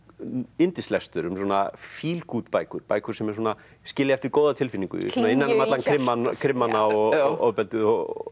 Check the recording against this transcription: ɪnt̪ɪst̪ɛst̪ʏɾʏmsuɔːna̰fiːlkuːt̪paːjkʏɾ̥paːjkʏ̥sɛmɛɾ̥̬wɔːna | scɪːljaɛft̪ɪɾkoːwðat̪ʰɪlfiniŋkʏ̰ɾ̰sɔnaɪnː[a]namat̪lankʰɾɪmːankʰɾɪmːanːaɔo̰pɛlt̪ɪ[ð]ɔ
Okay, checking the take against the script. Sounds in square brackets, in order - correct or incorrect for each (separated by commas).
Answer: correct, correct